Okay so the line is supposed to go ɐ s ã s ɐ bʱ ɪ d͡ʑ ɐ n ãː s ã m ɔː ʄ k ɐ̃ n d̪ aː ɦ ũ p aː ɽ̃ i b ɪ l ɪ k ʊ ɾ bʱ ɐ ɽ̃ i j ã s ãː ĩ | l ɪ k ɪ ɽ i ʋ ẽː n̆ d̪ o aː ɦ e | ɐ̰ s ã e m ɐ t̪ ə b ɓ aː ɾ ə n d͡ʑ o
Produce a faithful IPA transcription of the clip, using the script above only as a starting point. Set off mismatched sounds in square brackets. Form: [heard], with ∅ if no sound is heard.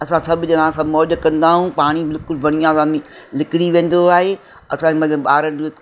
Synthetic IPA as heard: ɐ s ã s ɐ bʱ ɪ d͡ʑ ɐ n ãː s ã m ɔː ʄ k ɐ̃ n d̪ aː ɦ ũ p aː ɽ̃ i b ɪ l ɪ k ʊ [l] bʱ ɐ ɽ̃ i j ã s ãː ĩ | l ɪ k ɪ ɽ i ʋ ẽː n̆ d̪ o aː ɦ e | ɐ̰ s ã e m ɐ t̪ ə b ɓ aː ɾ ə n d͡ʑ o

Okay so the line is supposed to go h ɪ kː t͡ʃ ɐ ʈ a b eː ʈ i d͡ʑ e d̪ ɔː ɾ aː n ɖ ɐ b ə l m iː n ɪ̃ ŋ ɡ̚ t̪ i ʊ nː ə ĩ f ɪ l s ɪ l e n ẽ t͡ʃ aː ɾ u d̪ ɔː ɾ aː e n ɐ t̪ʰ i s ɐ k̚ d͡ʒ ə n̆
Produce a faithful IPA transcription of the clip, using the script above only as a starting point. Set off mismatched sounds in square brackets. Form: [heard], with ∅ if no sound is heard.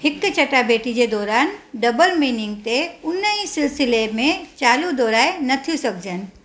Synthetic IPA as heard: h ɪ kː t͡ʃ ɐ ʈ a b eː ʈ i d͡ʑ e d̪ ɔː ɾ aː n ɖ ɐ b ə l m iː n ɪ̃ ŋ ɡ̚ t̪ [e] ʊ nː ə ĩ [s] ɪ l s ɪ l e [m] ẽ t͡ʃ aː [l] u d̪ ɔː ɾ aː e n ɐ t̪ʰ i s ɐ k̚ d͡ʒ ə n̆

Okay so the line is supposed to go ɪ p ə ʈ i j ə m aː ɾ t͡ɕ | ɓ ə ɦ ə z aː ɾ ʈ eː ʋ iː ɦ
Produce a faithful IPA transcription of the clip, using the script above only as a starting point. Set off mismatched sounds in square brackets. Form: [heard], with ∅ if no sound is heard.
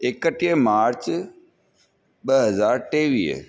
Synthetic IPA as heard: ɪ [k] ə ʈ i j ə m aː ɾ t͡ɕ | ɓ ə ɦ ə z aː ɾ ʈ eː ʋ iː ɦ

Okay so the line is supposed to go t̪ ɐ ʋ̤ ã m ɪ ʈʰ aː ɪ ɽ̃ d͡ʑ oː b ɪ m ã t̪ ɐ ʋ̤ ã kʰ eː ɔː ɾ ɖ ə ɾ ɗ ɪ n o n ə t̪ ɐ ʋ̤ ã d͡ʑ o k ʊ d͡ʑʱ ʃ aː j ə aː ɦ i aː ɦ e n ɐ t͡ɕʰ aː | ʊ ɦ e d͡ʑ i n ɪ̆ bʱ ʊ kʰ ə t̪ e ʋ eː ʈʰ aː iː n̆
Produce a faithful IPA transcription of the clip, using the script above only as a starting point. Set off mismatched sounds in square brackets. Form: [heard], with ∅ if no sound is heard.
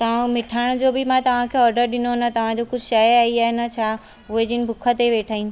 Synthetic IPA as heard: t̪ ɐ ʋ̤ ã m ɪ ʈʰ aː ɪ ɽ̃ d͡ʑ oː b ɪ m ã t̪ ɐ ʋ̤ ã kʰ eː ɔː ɾ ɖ ə ɾ ɗ ɪ n o n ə t̪ ɐ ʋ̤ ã d͡ʑ o k ʊ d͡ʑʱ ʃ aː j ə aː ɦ i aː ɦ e n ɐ t͡ɕʰ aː | ʊ ɦ e d͡ʑ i n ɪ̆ bʱ ʊ kʰ ə t̪ e ʋ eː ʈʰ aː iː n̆

